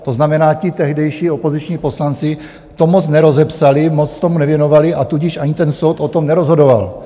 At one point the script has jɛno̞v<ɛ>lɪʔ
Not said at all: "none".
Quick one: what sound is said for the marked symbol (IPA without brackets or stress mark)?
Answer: a